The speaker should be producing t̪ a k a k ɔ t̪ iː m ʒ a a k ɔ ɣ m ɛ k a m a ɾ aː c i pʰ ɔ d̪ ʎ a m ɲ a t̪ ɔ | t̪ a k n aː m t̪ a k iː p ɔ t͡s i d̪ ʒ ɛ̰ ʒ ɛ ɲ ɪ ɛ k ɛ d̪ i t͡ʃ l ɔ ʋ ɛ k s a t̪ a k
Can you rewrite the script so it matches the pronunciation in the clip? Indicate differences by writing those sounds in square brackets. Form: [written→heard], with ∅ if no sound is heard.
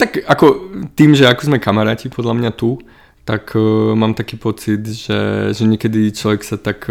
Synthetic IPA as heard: t̪ a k a k ɔ t̪ iː m ʒ [a→ɛ] a k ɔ [ɣ→z] m ɛ k a m a ɾ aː c i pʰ ɔ d̪ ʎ a m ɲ a t̪ [ɔ→u] | t̪ a k [n→m] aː m t̪ a k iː p ɔ t͡s i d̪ ʒ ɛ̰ ʒ ɛ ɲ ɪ ɛ k ɛ d̪ i t͡ʃ l ɔ ʋ ɛ k s a t̪ a k